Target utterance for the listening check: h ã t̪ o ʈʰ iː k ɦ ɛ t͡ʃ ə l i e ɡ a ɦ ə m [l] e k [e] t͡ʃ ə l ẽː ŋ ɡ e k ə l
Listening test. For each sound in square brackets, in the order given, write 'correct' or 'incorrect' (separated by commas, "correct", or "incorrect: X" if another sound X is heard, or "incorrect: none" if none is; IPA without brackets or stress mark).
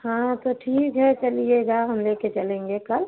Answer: correct, correct